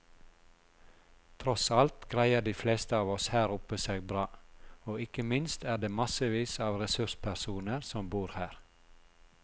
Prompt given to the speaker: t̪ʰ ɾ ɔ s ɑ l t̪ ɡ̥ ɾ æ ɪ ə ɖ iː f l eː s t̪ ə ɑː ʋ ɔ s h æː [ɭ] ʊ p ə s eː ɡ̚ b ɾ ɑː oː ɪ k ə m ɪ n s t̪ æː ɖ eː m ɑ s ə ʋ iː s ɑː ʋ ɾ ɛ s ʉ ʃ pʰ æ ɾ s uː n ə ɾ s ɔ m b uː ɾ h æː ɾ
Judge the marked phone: incorrect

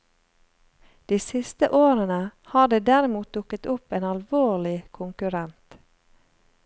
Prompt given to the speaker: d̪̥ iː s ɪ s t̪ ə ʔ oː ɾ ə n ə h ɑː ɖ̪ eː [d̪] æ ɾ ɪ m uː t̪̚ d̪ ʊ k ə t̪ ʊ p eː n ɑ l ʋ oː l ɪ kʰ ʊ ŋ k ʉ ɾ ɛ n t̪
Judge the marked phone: correct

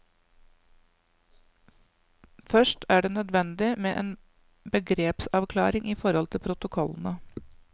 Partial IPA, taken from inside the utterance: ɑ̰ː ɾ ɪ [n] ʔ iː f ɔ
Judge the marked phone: incorrect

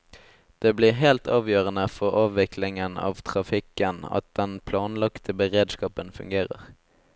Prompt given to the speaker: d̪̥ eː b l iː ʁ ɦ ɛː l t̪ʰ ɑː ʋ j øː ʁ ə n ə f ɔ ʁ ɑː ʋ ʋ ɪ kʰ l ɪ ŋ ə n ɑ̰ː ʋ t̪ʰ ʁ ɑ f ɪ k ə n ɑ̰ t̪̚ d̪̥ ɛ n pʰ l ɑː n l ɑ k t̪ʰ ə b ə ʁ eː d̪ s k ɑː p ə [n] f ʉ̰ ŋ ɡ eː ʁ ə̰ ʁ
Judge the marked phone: correct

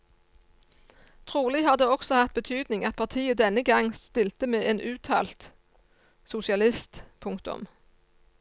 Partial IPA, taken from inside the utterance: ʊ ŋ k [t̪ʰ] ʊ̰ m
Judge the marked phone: incorrect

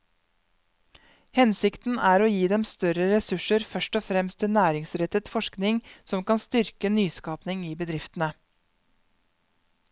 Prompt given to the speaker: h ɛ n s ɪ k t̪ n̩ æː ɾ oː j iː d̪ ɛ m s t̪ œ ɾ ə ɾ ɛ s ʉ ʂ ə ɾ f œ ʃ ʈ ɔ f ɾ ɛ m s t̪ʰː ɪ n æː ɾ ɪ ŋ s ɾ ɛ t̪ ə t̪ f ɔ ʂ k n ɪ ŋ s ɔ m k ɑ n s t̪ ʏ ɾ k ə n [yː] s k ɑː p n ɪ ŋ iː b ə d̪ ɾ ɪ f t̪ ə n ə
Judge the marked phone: correct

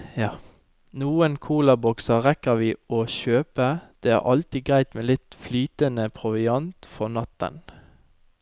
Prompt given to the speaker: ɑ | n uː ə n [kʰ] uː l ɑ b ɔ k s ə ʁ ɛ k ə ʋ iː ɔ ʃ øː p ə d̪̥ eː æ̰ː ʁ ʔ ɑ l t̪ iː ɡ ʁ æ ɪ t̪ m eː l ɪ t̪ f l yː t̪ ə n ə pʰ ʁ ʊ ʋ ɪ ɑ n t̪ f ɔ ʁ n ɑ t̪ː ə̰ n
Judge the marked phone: correct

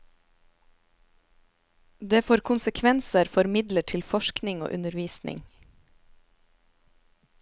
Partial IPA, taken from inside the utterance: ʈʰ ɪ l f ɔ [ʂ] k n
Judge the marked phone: incorrect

